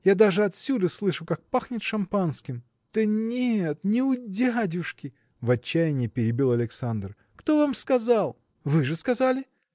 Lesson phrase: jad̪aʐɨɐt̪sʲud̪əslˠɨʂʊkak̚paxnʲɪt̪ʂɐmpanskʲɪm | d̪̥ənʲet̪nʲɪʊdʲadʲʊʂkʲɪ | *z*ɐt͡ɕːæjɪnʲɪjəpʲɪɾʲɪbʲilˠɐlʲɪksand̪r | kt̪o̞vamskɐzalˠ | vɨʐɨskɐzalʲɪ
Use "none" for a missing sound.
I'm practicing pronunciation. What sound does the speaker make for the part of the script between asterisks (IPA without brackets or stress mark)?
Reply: v